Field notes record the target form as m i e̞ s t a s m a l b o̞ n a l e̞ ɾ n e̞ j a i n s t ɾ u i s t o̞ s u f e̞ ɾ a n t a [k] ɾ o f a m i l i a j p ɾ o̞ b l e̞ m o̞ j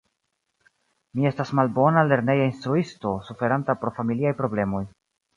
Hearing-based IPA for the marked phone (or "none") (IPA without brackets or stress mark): p